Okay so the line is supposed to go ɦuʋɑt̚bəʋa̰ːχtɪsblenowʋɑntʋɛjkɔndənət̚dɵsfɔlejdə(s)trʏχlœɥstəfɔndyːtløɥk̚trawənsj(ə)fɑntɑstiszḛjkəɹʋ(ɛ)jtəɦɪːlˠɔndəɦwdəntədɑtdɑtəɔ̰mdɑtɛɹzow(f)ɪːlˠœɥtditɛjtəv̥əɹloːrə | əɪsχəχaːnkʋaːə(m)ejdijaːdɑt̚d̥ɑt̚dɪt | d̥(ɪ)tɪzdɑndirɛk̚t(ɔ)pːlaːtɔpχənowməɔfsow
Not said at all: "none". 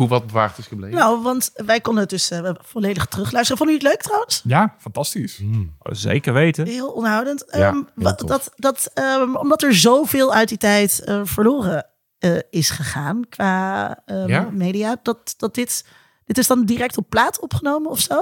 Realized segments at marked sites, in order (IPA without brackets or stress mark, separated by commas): χ, a, e, v, m, ɪ, ɔ